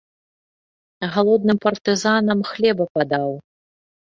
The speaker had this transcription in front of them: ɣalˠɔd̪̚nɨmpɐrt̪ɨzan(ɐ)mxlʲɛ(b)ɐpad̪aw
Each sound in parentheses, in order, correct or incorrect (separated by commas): correct, correct